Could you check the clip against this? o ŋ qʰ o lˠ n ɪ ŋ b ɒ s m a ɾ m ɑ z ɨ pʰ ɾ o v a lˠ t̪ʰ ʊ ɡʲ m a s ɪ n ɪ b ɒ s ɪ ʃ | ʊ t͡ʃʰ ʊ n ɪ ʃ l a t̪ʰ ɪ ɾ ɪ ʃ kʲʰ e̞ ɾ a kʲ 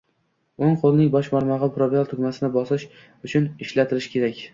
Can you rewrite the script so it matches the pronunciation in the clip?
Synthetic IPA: o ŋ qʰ o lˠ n ɪ ŋ b ɒ ʃ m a ɾ m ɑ ʁ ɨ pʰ ɾ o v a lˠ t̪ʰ ʊ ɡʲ m a s ɪ n ɪ b ɒ s ɪ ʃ | ʊ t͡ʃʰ ʊ n ɪ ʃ l a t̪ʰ ɪ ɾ ɪ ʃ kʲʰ e̞ ɾ a kʲ

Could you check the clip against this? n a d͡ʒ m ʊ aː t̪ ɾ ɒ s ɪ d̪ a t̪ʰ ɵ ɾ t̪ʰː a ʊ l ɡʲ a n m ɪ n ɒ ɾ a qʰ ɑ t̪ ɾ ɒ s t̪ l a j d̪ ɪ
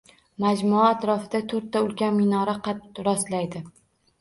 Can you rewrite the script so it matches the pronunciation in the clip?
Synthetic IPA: m a d͡ʒ m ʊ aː t̪ ɾ ɒ f ɪ d̪ a t̪ʰ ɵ ɾ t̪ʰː a ʊ l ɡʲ a n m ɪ n ɒ ɾ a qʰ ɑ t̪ ɾ ɒ s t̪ l a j d̪ ɪ

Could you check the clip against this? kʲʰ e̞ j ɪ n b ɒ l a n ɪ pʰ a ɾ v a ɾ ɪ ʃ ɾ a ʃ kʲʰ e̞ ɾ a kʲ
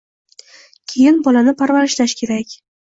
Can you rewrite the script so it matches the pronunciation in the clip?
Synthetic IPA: kʲʰ e̞ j ɪ n b ɒ l a n ɪ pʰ a ɾ v a ɾ ɪ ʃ l a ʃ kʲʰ e̞ ɾ a kʲ

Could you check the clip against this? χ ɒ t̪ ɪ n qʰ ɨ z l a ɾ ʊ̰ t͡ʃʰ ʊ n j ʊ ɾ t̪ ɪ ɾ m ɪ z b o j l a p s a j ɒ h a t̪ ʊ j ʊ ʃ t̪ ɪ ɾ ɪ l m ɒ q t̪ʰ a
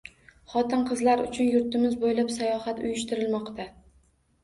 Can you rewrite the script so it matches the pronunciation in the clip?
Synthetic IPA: χ ɒ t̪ ɪ n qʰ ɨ z l a ɾ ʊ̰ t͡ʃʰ ʊ n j ʊ ɾ t̪ ɪ m ɪ z b o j l a p s a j ɒ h a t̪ ʊ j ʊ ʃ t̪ ɪ ɾ ɪ l m ɒ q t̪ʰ a

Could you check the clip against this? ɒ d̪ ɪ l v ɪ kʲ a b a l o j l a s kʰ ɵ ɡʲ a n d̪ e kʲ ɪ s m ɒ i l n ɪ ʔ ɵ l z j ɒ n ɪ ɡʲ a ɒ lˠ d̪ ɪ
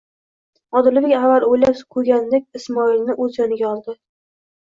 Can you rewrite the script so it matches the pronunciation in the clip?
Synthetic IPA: ɒ d̪ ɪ l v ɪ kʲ a v a l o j l a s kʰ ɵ ɡʲ a n d̪ e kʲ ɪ s m ɒ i l n ɪ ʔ ɵ z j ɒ n ɪ ɡʲ a ɒ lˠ d̪ ɪ

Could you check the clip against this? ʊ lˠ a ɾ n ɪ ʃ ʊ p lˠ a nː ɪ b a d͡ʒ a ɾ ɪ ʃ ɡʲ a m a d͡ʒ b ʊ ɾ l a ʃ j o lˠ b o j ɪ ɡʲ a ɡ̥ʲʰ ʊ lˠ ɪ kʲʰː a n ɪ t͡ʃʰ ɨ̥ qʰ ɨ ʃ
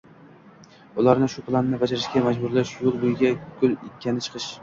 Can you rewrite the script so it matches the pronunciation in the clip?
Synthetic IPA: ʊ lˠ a ɾ n ɪ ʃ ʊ p lˠ a nː ɪ b a d͡ʒ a ɾ ɪ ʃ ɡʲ a m a d͡ʒ b ʊ ɾ l a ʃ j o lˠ b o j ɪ ɡʲ a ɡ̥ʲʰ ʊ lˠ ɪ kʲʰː a n ɪ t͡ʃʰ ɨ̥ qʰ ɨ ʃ

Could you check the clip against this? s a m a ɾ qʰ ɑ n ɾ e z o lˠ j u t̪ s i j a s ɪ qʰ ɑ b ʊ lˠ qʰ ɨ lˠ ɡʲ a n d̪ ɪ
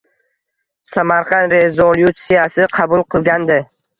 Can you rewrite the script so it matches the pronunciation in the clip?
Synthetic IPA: s a m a ɾ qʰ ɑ n ɾ e z o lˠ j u t̪ s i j a s ɪ qʰ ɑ b ʊ lˠ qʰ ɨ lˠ ɡʲ a n d̪ ɪ

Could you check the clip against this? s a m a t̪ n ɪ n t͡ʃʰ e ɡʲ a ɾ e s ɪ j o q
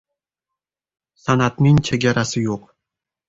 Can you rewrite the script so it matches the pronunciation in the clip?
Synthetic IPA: s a n a t̪ n ɪ ŋ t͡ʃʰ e ɡʲ a ɾ a s ɪ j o q

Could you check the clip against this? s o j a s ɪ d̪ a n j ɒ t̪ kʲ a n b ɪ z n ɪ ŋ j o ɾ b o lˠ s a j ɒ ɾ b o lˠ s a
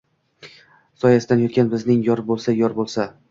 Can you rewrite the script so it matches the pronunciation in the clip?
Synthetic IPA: s ɒ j a s ɪ d̪ a n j ɒ t̪ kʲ a n b ɪ z n ɪ ŋ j ɒ ɾ b o lˠ s a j ɒ ɾ b o lˠ s a

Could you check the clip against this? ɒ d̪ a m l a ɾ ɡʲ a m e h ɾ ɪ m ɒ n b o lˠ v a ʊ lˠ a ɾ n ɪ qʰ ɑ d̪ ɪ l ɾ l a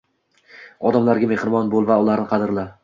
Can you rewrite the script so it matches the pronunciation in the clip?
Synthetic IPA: ɒ d̪ a m l a ɾ ɡʲ a m e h ɾ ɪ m ɒ n b o lˠ v a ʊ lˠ a ɾ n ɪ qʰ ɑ d̪ ɪ ɾ l a

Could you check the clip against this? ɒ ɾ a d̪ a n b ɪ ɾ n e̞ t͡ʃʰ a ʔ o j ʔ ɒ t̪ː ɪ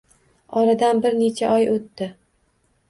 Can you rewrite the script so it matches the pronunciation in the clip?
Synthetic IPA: ɒ ɾ a d̪ a n b ɪ ɾ n e̞ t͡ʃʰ a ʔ ɒ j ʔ o t̪ː ɪ

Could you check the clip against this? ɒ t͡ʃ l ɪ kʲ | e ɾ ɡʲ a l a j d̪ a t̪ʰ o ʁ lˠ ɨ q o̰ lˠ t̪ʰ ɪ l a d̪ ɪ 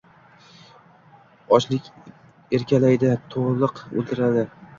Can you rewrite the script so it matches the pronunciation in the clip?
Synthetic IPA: ɒ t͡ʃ l ɪ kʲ | e ɾ kʲ a l a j d̪ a t̪ʰ o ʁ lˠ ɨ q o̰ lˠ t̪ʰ ɪ ɾ a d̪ ɪ

